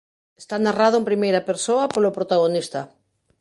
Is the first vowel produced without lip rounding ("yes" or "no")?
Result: yes